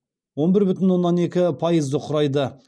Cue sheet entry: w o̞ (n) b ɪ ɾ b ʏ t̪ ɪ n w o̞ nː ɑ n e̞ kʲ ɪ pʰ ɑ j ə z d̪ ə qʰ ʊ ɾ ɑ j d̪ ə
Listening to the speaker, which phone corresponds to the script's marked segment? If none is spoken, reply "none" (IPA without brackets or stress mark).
n